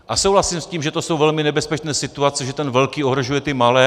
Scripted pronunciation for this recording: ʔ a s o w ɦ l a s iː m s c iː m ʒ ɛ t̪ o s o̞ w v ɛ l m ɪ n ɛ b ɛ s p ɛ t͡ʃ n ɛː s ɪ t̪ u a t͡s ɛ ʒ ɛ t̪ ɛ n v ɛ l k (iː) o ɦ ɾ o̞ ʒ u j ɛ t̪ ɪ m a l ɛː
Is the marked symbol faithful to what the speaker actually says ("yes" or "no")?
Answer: yes